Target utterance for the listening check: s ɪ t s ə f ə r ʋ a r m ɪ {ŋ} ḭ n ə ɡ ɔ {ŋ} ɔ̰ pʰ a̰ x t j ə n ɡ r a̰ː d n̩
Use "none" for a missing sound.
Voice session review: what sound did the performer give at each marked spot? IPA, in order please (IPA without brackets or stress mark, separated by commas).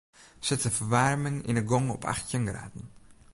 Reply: ŋ, ŋ